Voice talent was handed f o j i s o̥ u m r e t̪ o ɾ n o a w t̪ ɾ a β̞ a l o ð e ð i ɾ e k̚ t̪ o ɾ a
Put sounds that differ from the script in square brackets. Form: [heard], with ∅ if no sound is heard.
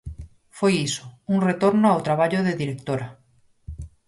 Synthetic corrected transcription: f o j i s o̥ u [ŋ] r e t̪ o ɾ n o a w t̪ ɾ a β̞ a [ʎ] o ð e ð i ɾ e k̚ t̪ o ɾ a